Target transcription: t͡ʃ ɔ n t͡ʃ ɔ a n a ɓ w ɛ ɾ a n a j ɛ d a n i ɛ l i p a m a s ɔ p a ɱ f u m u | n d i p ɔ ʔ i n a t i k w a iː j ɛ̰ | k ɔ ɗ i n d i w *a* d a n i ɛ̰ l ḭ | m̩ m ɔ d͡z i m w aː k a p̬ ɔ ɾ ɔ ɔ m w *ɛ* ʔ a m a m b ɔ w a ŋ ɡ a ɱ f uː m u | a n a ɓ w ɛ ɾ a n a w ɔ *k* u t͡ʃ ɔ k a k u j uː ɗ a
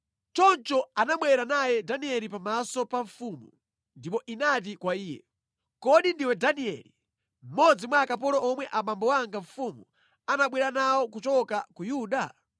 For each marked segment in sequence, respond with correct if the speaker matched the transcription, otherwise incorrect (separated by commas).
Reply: incorrect, correct, correct